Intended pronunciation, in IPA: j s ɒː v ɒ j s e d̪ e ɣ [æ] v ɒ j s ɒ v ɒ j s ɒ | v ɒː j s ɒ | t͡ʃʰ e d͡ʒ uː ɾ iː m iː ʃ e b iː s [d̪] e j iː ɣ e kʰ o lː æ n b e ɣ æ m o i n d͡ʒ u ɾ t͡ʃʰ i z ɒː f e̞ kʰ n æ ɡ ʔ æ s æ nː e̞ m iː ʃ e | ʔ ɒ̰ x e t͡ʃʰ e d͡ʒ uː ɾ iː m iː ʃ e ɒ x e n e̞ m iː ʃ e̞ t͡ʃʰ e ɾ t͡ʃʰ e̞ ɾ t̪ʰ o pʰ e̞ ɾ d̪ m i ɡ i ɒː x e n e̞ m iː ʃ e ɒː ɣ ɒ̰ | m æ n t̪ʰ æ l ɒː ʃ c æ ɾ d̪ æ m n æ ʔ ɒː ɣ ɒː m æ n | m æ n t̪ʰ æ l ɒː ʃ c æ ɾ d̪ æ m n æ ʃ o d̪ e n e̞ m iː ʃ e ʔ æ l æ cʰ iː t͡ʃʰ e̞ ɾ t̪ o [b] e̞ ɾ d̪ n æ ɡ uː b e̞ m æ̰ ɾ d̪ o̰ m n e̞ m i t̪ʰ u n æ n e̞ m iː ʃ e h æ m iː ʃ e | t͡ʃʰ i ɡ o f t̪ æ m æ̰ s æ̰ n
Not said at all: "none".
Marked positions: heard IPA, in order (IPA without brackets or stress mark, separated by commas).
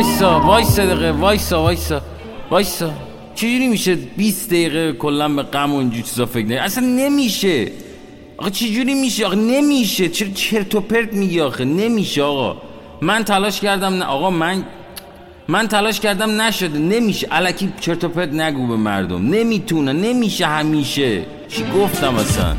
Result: e, d̪, p